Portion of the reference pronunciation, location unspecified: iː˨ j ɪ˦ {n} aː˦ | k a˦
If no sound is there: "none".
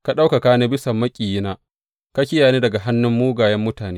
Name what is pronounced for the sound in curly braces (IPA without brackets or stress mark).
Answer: n